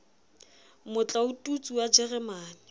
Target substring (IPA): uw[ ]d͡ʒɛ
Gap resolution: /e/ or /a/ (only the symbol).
a